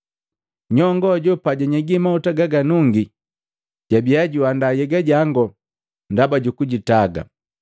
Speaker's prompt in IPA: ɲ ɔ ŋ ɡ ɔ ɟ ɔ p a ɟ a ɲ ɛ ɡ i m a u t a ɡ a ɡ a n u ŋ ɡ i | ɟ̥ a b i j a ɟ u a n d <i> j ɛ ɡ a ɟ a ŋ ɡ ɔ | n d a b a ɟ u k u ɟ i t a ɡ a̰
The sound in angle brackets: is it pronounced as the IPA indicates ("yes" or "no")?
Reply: no